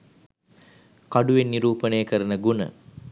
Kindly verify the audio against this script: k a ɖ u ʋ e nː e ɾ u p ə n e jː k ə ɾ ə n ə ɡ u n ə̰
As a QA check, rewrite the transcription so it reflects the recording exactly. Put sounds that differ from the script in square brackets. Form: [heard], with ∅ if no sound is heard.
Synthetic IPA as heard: k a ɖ u ʋ e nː [i] ɾ [uː] p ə n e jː k ə ɾ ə n ə ɡ u n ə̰